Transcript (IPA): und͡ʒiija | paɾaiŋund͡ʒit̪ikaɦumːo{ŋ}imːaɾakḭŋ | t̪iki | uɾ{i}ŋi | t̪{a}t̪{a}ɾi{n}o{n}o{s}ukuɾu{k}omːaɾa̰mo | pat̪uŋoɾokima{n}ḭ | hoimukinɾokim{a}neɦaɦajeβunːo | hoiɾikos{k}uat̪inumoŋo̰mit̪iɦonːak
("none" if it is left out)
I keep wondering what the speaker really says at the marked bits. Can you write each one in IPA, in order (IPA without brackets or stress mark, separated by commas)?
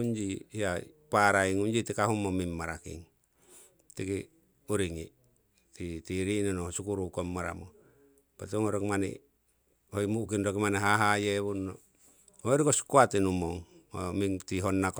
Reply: m, i, i, i, n, n, s, k, n, a, k